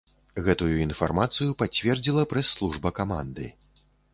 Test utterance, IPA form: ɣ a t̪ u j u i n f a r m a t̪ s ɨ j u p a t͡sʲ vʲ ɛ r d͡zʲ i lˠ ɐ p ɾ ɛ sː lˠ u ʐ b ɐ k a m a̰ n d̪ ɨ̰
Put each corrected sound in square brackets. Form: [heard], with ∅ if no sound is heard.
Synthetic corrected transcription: ɣ [ɛ] t̪ u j u i n f a r m a t̪ s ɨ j u p a t͡sʲ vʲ ɛ r d͡zʲ i lˠ ɐ p ɾ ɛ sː lˠ u ʐ b ɐ k a m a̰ n d̪ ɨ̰

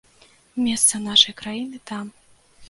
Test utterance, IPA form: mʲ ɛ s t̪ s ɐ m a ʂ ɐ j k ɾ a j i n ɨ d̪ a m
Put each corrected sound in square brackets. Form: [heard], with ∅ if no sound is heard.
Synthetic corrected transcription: mʲ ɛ s t̪ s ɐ [n] a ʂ ɐ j k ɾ a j i n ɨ [t̪] a m

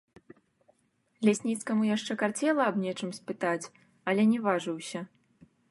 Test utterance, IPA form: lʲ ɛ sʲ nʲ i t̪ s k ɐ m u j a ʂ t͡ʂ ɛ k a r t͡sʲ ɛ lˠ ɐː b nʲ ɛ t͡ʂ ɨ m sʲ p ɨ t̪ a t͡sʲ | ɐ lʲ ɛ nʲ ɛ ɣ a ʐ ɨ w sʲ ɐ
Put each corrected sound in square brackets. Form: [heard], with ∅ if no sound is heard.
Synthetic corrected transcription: lʲ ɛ sʲ nʲ i t̪ s k ɐ m u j a ʂ t͡ʂ ɛ k a r t͡sʲ ɛ lˠ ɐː b nʲ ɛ t͡ʂ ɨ m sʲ p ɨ t̪ a t͡sʲ | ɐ lʲ ɛ nʲ ɛ [v] a ʐ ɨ w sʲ ɐ

